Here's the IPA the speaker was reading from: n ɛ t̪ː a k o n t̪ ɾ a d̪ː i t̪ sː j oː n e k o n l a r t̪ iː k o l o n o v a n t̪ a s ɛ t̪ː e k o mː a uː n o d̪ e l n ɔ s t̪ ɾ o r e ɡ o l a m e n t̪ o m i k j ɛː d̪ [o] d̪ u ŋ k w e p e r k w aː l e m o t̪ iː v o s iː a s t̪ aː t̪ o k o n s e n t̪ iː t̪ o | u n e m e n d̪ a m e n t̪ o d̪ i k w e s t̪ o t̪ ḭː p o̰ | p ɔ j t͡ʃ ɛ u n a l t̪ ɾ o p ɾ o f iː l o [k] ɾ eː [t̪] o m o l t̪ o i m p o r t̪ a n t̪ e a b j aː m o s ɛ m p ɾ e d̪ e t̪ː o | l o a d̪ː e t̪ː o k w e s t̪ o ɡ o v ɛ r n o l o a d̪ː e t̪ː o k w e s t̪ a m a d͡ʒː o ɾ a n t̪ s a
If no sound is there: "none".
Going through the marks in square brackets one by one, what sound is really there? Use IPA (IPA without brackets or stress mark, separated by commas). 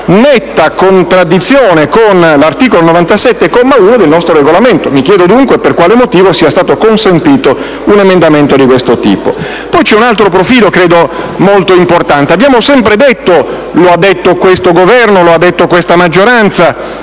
o, k, d̪